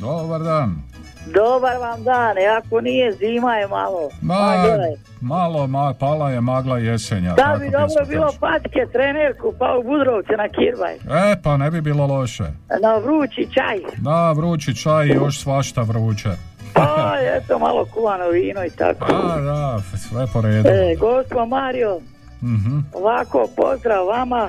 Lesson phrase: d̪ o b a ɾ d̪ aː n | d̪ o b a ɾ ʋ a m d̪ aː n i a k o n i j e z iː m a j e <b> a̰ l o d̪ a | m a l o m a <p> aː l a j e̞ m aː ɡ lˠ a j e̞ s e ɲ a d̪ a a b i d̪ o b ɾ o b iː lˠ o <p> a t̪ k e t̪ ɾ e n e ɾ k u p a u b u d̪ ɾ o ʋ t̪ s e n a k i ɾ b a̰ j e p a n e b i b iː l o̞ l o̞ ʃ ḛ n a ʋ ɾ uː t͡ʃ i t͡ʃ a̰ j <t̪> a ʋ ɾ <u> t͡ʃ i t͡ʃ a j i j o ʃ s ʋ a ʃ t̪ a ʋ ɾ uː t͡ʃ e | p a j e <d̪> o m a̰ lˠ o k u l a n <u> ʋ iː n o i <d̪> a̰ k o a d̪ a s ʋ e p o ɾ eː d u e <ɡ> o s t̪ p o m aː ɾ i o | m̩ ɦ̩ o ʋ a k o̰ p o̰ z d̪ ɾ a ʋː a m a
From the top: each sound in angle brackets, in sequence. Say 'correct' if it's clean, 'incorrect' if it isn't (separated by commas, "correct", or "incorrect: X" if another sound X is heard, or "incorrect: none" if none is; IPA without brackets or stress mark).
incorrect: m, correct, correct, incorrect: d̪, incorrect: uː, incorrect: t̪, incorrect: o, incorrect: t̪, correct